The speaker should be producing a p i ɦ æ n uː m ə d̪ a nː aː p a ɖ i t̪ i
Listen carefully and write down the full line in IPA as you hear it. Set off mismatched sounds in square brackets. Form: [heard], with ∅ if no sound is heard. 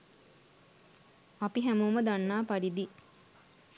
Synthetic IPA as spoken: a p i ɦ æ [m] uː m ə d̪ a nː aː p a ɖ i [d̪] i